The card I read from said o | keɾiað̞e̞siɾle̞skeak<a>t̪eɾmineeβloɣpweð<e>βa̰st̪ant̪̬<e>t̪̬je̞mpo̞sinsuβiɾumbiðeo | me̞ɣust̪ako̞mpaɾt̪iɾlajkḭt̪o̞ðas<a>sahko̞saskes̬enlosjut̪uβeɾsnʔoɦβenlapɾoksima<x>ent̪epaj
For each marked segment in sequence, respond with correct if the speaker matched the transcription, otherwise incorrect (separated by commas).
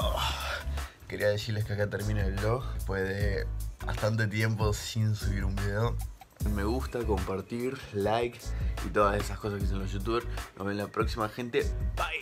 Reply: correct, correct, correct, incorrect, correct